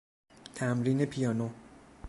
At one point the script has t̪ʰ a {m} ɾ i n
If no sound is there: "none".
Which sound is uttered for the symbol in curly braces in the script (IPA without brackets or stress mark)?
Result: m